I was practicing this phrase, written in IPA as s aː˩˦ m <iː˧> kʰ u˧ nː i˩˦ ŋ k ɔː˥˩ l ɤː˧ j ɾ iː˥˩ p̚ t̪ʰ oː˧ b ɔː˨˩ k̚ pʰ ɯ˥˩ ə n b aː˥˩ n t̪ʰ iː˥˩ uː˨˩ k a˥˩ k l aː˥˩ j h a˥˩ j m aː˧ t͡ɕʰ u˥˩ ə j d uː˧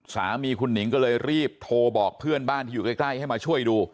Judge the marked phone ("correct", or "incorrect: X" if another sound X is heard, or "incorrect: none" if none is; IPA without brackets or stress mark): correct